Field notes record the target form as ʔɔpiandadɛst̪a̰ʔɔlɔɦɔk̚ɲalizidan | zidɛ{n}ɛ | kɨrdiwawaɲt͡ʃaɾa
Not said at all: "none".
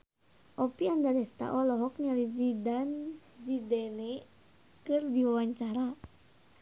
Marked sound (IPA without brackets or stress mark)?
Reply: n